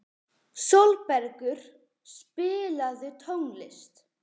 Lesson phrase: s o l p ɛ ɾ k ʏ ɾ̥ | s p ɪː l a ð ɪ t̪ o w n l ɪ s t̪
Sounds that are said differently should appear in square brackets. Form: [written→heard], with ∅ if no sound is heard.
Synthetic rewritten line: s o l p ɛ ɾ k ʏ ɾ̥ | s p ɪː l a ð ɪ [t̪→t̪ʰ] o w [n→ŋ] l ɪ s t̪